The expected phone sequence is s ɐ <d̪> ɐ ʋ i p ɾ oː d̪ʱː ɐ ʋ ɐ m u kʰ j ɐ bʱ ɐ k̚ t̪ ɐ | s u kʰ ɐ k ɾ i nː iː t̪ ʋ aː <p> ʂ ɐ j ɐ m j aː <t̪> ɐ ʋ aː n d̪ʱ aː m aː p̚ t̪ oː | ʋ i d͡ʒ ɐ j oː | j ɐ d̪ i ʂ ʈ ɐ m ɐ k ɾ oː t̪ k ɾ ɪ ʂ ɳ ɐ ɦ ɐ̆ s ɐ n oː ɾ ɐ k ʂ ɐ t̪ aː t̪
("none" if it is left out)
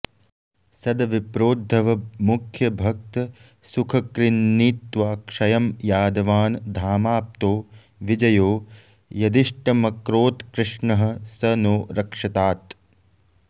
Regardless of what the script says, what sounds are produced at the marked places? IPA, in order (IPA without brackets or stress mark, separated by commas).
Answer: d̪, k, d̪